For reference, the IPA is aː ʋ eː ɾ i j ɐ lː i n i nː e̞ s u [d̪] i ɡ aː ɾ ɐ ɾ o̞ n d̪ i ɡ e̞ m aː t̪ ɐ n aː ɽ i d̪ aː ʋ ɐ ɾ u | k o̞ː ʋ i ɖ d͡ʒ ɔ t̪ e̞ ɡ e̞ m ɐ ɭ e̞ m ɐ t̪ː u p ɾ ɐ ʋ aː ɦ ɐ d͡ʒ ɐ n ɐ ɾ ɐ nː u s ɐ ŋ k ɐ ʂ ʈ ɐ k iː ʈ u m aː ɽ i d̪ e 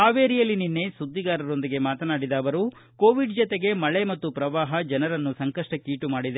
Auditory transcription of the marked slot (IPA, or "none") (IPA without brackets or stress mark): d̪ː